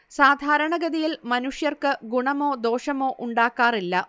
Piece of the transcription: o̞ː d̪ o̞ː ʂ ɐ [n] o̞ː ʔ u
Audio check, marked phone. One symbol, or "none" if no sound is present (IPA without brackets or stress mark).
m